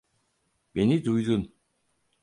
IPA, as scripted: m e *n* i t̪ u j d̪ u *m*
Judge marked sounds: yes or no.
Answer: yes, no

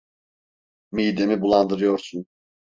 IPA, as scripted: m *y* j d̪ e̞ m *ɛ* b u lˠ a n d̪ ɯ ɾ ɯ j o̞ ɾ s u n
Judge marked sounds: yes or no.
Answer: no, no

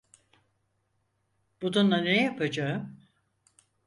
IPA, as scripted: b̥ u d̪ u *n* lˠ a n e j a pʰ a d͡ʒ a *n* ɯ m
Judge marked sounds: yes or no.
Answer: yes, no

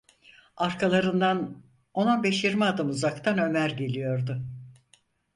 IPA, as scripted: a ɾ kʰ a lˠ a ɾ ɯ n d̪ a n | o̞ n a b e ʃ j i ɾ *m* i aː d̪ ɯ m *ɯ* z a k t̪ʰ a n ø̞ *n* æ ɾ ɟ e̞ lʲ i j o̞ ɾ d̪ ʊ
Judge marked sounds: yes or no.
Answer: yes, no, no

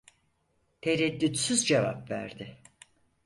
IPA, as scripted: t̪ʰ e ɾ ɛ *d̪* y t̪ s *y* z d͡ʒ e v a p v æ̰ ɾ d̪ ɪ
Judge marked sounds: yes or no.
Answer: no, yes

